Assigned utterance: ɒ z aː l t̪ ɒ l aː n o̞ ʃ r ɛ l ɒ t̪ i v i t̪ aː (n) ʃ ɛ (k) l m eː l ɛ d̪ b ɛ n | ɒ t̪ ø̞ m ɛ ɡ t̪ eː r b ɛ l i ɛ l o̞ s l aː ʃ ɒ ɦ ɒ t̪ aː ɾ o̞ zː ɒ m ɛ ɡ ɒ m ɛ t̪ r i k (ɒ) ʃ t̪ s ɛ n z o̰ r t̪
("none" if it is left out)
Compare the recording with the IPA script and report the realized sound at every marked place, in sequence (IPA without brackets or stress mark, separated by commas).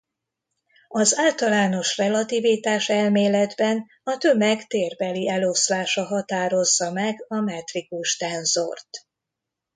none, none, u